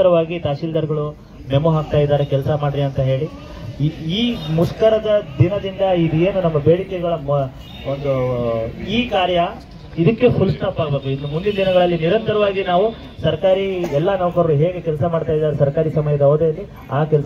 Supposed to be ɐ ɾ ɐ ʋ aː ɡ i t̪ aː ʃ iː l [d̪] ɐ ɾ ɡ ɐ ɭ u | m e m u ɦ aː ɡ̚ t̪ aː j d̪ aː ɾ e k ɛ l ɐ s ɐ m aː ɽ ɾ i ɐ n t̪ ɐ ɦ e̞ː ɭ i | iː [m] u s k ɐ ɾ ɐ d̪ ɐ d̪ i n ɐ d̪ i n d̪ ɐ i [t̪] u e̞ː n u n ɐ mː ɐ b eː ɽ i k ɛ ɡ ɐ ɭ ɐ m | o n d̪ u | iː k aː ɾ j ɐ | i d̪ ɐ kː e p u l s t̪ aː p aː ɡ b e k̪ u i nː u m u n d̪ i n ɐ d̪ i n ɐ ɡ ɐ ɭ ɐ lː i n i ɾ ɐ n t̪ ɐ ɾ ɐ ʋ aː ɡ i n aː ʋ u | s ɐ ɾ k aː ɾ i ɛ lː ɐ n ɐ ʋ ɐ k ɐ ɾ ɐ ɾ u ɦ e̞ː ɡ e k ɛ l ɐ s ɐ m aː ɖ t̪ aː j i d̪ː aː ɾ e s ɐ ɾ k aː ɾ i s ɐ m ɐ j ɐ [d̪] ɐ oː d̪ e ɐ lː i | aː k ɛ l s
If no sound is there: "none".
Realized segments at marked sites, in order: d̪, m, d̪, d̪

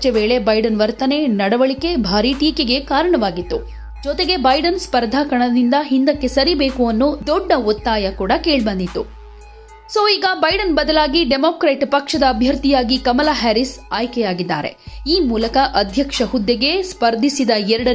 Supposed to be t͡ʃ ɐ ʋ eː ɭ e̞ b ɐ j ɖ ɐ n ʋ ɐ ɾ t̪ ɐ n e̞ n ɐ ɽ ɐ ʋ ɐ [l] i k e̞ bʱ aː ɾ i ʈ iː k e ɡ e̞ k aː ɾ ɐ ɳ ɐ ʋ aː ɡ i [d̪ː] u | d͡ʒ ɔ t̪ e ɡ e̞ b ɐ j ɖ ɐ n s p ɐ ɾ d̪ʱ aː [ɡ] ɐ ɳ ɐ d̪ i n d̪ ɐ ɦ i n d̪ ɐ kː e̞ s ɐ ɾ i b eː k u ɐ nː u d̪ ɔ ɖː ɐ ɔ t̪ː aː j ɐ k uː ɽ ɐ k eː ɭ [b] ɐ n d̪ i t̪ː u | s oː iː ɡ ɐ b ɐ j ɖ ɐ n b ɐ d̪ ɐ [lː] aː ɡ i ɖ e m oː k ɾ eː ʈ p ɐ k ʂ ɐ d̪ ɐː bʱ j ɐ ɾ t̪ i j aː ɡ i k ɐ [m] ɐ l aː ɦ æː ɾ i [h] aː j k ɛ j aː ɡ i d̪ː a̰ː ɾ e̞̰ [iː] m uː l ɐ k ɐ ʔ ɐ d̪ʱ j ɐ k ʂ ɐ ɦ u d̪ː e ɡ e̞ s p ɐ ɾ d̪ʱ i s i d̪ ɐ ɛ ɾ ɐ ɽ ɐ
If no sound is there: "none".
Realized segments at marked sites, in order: ɭ, t̪ː, k, b, l, m, s, iː

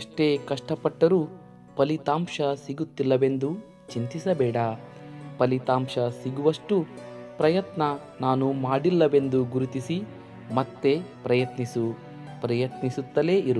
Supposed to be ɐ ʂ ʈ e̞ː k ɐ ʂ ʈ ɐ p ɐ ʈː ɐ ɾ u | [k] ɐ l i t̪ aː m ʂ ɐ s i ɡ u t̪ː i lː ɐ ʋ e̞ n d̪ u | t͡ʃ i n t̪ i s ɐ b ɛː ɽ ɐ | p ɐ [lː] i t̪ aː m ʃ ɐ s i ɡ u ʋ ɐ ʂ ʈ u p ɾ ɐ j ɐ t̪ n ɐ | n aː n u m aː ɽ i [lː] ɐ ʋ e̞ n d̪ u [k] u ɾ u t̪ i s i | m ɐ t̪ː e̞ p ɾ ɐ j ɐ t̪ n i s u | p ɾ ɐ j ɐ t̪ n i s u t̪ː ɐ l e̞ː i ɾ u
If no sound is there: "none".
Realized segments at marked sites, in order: p, l, lː, ɡ

